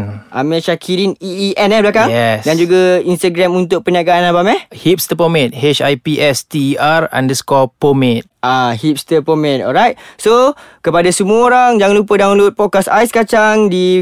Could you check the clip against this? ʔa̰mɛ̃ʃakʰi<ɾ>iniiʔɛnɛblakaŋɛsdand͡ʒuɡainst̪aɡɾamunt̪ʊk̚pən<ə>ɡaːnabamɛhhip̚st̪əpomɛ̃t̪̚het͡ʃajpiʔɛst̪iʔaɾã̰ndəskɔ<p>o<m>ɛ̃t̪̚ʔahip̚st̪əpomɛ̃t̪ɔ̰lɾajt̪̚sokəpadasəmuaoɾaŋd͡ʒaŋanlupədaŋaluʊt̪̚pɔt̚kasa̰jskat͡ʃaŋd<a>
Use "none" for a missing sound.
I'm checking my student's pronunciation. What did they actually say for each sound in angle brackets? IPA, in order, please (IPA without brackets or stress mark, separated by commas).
ɾ, a, p, m, i